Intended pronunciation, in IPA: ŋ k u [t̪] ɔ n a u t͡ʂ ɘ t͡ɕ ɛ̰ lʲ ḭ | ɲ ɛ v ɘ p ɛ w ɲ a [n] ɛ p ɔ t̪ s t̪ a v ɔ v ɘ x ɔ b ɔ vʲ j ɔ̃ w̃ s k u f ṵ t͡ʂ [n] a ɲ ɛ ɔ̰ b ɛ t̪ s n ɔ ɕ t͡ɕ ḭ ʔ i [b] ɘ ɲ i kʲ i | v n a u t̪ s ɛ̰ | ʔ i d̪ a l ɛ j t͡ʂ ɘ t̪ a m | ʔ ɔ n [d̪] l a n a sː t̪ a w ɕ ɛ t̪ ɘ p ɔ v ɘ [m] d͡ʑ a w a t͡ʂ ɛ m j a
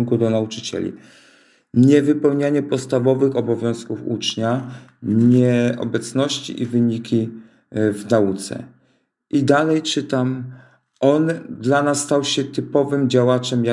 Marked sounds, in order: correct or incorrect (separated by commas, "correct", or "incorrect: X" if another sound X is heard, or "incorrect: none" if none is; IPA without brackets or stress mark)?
incorrect: d̪, incorrect: ɲ, incorrect: ɲ, incorrect: v, correct, correct